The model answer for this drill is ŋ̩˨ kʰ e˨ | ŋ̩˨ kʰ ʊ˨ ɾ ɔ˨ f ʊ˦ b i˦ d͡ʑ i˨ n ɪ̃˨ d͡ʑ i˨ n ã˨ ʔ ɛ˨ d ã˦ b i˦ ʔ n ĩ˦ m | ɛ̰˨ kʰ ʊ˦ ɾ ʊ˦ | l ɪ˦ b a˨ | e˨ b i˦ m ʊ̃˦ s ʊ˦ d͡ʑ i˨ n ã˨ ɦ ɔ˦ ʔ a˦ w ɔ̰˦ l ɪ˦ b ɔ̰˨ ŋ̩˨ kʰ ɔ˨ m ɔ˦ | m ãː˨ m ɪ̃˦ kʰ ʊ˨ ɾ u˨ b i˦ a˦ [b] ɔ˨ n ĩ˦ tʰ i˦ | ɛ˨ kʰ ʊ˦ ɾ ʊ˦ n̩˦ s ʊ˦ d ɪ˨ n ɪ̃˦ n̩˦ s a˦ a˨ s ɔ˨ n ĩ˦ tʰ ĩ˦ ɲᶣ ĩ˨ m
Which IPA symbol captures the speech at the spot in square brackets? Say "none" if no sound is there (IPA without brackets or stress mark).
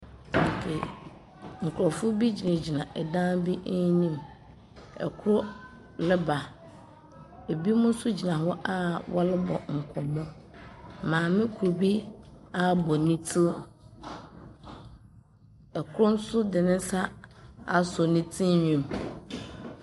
b